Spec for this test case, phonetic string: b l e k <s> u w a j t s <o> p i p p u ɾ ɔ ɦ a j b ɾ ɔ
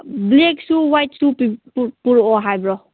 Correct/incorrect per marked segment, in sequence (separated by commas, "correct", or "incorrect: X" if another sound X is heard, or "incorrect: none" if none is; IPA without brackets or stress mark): correct, incorrect: u